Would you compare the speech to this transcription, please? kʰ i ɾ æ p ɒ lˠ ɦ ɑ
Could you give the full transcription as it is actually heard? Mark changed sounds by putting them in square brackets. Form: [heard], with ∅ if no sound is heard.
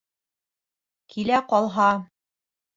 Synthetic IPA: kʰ i [l] æ [q] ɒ lˠ ɦ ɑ